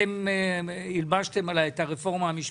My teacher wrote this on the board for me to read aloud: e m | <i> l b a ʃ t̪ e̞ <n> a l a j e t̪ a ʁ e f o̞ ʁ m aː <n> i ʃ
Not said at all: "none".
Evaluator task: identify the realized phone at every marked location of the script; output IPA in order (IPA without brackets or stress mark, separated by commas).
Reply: i, m, m